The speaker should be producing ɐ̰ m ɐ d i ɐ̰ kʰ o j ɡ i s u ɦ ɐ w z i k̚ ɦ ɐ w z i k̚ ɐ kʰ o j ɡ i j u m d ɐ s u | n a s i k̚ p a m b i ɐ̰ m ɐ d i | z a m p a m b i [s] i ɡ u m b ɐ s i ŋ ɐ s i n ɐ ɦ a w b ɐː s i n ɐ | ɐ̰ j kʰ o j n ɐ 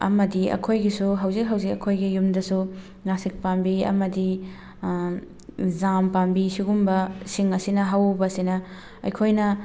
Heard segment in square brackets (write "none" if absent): s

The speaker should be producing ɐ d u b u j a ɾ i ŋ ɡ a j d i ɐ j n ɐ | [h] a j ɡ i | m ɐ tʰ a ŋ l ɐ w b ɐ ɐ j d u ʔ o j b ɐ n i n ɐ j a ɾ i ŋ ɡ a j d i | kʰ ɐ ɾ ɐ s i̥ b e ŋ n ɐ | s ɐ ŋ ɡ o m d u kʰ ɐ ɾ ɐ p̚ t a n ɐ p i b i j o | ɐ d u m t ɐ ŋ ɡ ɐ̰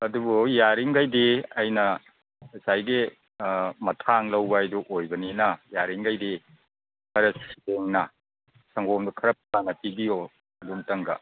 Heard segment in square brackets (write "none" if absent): s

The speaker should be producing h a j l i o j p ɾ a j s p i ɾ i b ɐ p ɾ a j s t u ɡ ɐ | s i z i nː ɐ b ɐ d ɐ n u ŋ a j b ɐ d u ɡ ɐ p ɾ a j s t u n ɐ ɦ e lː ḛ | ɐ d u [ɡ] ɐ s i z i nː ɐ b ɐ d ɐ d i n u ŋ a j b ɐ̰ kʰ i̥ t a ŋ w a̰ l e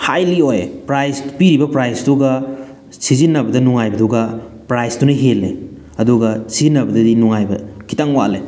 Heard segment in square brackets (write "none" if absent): ɡ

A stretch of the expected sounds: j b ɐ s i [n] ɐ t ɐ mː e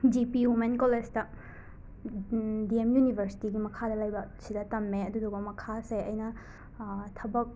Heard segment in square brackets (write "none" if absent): d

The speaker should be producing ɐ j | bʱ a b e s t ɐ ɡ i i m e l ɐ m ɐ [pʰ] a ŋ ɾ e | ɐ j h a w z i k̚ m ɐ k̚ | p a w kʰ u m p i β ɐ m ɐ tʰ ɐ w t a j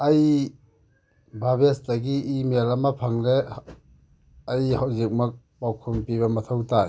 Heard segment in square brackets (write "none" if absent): pʰ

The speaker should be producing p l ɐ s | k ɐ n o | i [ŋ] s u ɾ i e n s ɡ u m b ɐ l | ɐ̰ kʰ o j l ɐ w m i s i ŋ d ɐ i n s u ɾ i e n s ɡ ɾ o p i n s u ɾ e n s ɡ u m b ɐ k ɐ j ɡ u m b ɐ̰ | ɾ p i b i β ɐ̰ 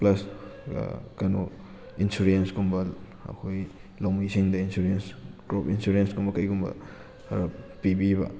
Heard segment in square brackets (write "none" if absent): n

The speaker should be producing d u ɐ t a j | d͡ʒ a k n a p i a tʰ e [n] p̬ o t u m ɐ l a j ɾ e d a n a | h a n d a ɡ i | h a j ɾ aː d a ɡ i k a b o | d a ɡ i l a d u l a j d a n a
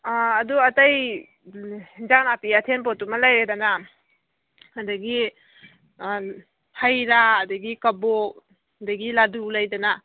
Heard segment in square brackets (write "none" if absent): n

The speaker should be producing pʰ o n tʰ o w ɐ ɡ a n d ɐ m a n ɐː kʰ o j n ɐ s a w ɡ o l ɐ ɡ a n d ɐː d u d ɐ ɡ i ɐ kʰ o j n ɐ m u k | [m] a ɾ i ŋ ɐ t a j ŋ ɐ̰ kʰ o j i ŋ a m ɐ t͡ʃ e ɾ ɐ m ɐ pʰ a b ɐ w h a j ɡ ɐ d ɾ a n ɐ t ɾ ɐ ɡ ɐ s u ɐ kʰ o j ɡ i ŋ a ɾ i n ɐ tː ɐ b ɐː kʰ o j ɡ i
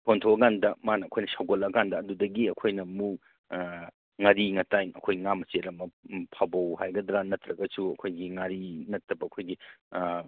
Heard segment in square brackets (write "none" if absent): ŋ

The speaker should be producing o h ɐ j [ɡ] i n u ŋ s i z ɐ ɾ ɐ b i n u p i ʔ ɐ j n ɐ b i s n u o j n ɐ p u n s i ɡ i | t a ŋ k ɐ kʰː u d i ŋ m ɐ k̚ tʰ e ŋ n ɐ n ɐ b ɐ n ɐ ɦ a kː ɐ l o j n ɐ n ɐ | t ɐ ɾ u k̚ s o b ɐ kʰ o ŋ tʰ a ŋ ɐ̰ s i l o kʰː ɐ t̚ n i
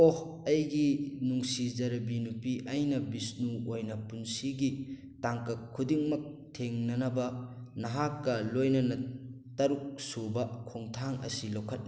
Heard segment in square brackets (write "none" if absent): ɡ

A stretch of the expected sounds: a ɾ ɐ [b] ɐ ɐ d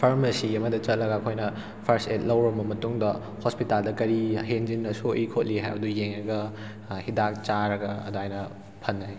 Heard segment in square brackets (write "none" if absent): ɡ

